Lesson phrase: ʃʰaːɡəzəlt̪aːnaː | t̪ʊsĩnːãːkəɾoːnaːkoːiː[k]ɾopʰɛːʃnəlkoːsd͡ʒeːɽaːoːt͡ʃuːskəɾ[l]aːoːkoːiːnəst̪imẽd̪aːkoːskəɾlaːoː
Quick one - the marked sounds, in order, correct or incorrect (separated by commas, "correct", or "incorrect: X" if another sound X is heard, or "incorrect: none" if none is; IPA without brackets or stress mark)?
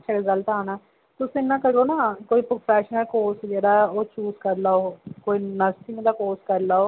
incorrect: p, correct